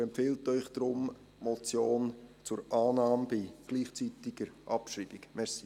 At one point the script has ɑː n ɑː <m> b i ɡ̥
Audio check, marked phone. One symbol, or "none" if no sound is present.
m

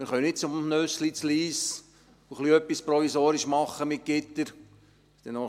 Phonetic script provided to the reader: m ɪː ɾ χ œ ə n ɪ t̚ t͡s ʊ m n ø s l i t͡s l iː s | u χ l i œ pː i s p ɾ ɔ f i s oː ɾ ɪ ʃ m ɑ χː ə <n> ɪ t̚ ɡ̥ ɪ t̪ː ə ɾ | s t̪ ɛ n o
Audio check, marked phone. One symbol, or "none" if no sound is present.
m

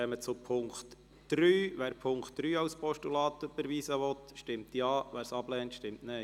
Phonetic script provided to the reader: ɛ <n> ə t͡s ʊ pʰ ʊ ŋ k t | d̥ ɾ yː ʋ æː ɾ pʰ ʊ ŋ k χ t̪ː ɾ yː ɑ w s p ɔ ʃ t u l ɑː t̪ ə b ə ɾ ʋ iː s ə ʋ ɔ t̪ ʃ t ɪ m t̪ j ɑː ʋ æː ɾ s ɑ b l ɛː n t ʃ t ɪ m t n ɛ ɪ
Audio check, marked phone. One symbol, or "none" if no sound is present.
m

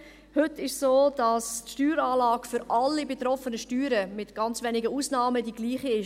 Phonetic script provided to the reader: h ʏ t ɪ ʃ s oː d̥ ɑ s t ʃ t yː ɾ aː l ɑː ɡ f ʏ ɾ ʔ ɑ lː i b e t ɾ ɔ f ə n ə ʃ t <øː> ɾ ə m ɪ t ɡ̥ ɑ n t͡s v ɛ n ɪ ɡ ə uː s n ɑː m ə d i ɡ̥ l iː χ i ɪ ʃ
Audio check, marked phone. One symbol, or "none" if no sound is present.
yː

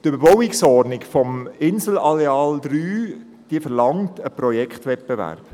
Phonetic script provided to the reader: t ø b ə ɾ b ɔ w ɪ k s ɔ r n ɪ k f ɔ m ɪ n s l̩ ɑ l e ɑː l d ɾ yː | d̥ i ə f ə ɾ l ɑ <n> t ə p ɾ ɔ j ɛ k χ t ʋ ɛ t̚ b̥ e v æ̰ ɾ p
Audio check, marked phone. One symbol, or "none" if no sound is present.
ŋ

